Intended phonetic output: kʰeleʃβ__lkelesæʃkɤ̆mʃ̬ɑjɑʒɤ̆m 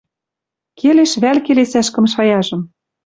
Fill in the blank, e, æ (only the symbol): æ